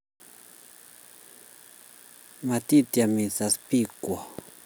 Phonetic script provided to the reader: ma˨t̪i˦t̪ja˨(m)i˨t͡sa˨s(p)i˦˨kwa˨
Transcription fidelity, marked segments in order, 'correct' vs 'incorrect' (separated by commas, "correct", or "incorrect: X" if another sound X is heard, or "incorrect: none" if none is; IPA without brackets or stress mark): correct, correct